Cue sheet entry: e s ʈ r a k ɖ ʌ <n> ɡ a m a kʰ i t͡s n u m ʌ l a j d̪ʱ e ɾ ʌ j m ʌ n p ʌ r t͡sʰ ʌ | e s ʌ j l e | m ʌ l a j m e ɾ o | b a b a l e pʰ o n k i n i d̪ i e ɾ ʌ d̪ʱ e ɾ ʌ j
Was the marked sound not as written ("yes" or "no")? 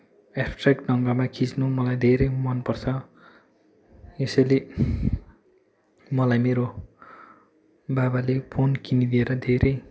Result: yes